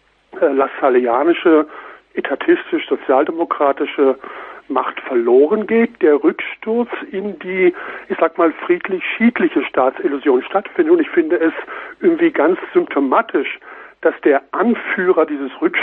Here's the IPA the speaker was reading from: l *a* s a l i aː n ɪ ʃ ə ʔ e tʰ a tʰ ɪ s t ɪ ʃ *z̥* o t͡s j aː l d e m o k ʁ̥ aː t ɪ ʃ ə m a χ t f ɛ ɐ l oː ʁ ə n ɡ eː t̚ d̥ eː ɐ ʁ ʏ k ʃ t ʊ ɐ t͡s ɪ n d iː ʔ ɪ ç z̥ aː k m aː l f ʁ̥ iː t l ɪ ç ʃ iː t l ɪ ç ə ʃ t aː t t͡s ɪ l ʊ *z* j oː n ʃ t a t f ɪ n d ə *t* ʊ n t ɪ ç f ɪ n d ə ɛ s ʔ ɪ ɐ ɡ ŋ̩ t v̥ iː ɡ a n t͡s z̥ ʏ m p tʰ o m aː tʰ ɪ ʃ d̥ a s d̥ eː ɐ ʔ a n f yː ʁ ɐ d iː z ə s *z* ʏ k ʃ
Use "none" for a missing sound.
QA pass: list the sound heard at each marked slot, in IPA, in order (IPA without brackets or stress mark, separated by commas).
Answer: a, z̥, z, t, ʁ